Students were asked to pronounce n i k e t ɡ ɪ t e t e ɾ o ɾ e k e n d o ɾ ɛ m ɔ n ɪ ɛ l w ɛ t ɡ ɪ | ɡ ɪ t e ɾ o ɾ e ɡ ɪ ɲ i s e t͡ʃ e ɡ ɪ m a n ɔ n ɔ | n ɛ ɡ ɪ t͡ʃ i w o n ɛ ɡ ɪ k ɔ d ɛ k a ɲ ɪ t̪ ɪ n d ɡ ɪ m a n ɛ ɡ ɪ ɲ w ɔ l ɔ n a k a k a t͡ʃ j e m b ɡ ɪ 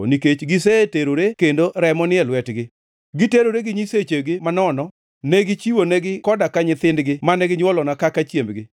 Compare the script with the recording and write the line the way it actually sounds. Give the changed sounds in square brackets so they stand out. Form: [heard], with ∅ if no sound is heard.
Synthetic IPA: n i k e [t͡ʃ] ɡ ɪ [s] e t e ɾ o ɾ e k e n d o ɾ ɛ m ɔ n ɪ ɛ l w ɛ t ɡ ɪ | ɡ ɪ t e ɾ o ɾ e ɡ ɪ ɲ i s e t͡ʃ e ɡ ɪ m a n ɔ n ɔ | n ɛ ɡ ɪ t͡ʃ i w o n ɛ ɡ ɪ k ɔ d [a] k a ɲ ɪ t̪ ɪ n d ɡ ɪ m a n ɛ ɡ ɪ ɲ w ɔ l ɔ n a k a k a t͡ʃ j e m b ɡ ɪ